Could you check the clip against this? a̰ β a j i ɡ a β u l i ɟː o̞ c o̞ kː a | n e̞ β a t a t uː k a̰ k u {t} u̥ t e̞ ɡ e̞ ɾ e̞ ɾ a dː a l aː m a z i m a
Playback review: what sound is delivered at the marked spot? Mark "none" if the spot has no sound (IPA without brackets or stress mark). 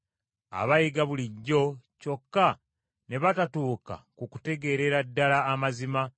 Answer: k